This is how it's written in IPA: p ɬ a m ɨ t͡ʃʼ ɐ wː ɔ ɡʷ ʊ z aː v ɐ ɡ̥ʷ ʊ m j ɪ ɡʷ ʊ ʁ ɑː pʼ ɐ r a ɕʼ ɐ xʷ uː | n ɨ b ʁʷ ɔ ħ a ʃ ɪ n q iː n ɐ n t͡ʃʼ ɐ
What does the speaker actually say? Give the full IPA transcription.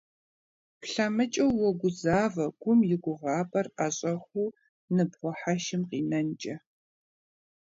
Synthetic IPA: p ɬ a m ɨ t͡ʃʼ ɐ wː ɔ ɡʷ ʊ z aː v ɐ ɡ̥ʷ ʊ m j ɪ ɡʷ ʊ ʁ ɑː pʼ ɐ r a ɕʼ ɐ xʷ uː | n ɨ b ʁʷ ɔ ħ a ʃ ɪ m q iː n ɐ n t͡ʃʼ ɐ